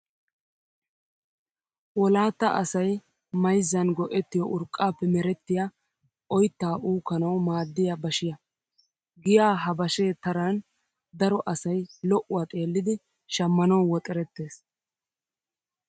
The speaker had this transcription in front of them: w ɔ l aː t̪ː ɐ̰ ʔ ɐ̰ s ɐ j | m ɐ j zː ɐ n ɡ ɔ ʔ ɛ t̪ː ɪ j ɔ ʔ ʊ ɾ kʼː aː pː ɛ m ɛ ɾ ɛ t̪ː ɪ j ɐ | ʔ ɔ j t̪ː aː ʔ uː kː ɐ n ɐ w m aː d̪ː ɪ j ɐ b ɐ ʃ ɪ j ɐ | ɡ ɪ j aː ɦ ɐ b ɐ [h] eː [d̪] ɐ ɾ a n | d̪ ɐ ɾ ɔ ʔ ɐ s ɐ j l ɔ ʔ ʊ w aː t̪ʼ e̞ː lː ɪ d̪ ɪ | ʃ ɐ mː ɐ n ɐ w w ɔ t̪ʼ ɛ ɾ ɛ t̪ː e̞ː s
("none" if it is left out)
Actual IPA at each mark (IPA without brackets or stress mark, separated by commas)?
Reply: ʃ, t̪